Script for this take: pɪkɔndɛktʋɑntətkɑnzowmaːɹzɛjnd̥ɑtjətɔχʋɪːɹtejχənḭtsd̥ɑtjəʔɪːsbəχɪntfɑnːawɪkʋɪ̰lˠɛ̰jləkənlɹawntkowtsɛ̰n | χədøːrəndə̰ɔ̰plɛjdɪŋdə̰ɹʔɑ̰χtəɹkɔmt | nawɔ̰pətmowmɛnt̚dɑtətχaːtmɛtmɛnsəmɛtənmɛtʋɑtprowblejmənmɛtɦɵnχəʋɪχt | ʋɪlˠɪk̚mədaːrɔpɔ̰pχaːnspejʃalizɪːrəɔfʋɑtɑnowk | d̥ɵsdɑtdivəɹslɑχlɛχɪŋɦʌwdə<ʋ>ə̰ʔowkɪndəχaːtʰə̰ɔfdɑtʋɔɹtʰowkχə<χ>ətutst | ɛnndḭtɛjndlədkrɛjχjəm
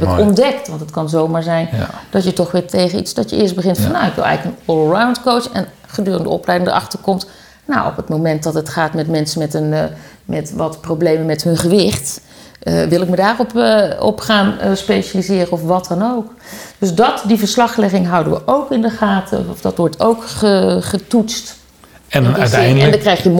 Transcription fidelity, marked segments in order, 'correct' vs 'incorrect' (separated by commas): correct, correct